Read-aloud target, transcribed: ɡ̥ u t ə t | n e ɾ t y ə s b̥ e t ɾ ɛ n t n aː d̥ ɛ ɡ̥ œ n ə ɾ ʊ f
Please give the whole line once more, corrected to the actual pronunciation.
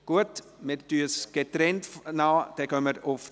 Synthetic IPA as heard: ɡ̥ u ə t | m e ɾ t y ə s ɡ̥ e t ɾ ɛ n t n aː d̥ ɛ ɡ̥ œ m ə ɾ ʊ f